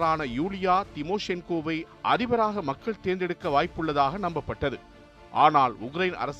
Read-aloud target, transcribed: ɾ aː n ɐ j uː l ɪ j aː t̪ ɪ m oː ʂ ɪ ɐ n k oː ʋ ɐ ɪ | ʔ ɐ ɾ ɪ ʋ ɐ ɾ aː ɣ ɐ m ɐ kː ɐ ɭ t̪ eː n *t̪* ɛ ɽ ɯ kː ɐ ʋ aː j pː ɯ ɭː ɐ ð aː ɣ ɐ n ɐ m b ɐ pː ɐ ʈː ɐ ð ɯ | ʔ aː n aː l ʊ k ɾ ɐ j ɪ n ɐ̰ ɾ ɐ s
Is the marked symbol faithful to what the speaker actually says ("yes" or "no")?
no